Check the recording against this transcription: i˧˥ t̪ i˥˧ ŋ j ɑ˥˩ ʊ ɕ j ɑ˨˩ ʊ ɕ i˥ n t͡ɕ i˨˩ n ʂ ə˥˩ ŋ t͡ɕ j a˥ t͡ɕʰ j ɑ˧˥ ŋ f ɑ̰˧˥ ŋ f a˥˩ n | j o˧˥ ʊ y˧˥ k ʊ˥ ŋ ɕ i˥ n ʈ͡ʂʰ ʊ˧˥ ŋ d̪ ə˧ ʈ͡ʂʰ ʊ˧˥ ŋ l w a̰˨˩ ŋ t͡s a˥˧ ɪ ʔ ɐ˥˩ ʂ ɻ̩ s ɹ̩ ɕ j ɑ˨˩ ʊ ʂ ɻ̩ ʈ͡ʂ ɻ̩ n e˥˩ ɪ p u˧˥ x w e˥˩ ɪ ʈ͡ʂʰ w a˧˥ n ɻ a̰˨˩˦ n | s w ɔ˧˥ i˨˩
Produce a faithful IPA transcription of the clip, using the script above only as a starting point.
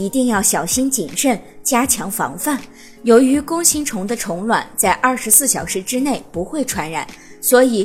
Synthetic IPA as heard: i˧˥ t̪ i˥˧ ŋ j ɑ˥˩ ʊ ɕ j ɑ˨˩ ʊ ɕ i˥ n t͡ɕ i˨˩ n ʂ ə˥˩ n t͡ɕ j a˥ t͡ɕʰ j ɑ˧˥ ŋ f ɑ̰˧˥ ŋ f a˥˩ n | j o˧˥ ʊ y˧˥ k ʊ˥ ŋ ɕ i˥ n ʈ͡ʂʰ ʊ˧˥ ŋ d̪ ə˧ ʈ͡ʂʰ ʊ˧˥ ŋ l w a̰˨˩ n t͡s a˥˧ ɪ ʔ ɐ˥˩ ʂ ɻ̩ s ɹ̩ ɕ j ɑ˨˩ ʊ ʂ ɻ̩ ʈ͡ʂ ɻ̩ n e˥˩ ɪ p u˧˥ x w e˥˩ ɪ ʈ͡ʂʰ w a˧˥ n ɻ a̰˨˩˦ n | s w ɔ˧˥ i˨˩